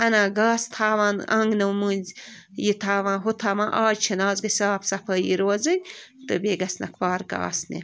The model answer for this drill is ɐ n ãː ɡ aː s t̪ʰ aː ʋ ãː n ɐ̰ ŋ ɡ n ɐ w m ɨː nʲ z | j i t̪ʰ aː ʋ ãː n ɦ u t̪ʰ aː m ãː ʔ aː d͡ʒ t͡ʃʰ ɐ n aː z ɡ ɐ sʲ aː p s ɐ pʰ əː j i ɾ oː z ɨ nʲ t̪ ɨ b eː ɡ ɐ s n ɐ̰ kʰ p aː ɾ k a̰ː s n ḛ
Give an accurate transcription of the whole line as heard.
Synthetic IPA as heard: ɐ n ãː ɡ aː s t̪ʰ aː ʋ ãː n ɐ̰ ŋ ɡ n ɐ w m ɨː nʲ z | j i t̪ʰ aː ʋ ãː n ɦ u t̪ʰ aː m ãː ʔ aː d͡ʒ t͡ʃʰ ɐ n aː z ɡ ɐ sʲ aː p s ɐ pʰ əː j i ɾ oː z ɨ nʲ t̪ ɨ b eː ɡ ɐ s n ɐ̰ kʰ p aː ɾ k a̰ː s n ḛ